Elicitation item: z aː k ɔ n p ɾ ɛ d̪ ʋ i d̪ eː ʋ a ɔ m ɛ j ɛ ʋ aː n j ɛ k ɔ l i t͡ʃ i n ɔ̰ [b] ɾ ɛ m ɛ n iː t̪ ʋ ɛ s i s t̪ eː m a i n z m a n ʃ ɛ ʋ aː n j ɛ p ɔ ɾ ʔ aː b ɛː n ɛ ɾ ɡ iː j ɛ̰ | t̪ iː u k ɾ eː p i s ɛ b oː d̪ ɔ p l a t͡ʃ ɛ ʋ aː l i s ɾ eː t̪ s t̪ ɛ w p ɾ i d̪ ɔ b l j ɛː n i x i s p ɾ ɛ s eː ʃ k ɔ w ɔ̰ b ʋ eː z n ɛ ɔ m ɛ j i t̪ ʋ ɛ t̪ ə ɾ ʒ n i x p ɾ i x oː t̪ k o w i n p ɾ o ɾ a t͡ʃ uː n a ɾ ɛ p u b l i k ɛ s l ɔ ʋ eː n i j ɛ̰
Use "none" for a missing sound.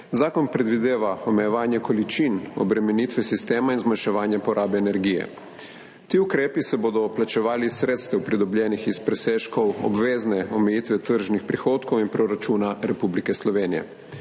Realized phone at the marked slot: b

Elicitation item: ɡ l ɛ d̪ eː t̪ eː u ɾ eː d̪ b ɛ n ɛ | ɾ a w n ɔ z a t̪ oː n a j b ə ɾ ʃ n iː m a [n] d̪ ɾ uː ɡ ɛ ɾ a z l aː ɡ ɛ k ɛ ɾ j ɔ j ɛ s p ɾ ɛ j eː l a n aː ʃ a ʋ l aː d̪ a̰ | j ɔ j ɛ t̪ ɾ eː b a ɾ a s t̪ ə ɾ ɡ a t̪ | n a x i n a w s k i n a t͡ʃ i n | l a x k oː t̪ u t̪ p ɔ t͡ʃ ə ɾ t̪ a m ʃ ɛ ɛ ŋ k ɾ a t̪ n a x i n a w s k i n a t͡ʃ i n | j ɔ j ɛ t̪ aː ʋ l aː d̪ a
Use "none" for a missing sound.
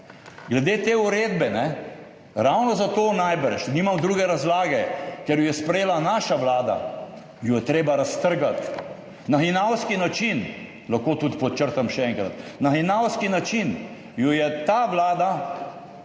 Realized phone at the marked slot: m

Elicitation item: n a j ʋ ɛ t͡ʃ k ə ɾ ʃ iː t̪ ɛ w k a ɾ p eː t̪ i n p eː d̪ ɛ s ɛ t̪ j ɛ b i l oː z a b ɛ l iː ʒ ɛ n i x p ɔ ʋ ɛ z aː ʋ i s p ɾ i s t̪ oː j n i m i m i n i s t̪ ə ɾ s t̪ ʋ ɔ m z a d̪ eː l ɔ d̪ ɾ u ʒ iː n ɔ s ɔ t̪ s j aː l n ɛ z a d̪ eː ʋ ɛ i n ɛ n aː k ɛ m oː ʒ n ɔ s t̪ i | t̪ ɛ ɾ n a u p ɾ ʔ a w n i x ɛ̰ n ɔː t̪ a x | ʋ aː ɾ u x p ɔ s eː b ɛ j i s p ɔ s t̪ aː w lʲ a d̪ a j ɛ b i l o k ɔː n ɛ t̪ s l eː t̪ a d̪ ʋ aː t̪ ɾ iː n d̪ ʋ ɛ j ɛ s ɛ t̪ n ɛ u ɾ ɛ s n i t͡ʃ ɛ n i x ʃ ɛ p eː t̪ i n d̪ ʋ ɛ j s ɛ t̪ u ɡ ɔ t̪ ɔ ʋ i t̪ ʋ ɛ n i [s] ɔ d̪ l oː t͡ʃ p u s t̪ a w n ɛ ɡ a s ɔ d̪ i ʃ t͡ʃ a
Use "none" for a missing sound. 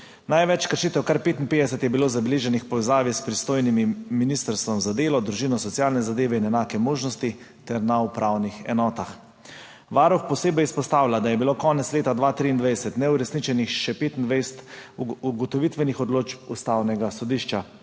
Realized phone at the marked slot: x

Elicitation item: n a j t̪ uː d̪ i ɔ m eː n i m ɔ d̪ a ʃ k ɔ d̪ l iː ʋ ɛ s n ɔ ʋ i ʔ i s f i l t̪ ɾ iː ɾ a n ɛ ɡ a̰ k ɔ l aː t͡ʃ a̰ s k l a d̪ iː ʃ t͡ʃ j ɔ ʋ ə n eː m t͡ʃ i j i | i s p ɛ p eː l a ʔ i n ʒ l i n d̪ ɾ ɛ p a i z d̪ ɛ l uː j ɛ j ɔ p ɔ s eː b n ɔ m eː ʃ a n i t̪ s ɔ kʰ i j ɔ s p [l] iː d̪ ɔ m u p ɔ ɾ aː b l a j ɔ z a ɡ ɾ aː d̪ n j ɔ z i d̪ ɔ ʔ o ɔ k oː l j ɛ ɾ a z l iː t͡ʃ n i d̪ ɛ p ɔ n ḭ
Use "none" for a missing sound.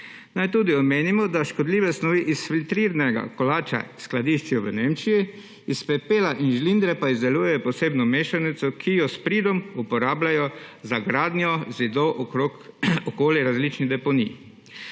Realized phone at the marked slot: ɾ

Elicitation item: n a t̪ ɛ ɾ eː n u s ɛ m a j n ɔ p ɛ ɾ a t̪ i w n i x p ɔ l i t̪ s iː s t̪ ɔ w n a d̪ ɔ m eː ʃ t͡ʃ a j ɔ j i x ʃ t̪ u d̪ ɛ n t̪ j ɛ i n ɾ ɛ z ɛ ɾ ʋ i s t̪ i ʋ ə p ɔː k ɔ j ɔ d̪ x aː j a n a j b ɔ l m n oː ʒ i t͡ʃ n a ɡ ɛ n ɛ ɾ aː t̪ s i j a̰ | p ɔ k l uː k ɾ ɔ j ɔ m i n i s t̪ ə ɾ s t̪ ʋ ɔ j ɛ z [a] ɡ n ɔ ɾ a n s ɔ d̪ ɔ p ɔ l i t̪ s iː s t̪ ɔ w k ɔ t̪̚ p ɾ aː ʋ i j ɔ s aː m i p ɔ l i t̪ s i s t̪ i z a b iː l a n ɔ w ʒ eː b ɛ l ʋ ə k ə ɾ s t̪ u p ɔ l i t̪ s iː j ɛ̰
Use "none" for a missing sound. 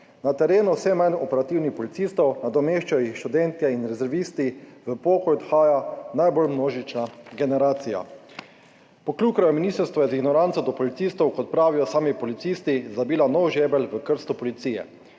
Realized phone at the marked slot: i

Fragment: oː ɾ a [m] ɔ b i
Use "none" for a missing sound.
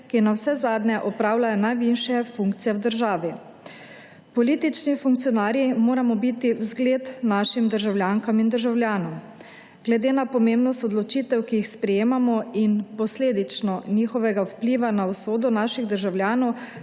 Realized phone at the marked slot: m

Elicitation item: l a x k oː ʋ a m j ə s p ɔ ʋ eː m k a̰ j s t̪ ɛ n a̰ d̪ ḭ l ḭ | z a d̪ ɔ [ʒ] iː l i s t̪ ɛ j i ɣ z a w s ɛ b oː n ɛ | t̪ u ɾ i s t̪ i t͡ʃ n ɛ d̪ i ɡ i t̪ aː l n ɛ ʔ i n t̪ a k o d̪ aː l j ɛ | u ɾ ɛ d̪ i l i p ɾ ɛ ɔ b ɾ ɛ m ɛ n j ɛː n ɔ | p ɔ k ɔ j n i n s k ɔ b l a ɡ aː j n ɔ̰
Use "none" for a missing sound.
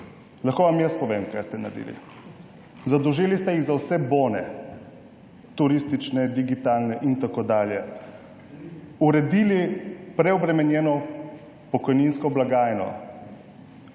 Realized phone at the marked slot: ʒ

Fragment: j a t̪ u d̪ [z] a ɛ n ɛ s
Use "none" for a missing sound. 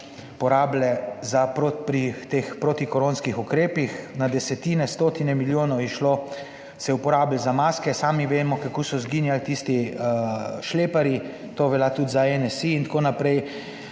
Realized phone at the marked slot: z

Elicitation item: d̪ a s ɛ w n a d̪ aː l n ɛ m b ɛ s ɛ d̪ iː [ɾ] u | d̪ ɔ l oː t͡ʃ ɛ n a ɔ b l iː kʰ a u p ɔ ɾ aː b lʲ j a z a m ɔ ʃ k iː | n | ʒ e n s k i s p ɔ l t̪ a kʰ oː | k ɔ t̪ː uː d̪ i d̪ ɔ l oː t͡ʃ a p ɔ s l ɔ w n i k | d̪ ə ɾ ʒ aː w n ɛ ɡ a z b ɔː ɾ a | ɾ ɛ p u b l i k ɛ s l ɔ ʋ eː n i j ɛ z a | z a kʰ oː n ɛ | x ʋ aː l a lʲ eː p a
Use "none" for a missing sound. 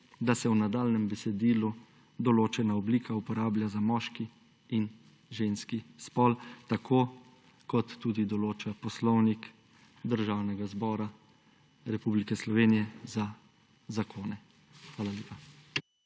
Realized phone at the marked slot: l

